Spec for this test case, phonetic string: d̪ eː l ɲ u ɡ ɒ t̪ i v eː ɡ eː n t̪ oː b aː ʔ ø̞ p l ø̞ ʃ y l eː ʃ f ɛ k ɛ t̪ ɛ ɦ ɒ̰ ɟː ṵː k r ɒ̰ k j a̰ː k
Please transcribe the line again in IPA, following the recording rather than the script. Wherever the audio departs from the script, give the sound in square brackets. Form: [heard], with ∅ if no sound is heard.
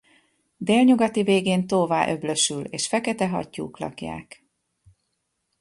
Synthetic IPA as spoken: d̪ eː l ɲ u ɡ ɒ t̪ i v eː ɡ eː n t̪ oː [v] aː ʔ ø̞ [b] l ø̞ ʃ y l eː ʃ f ɛ k ɛ t̪ ɛ ɦ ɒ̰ [cː] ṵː k [l] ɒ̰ k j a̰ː k